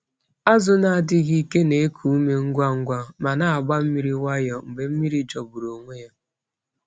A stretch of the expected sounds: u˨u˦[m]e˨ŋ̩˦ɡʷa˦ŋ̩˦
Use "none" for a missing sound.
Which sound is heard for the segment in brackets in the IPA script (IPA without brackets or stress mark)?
m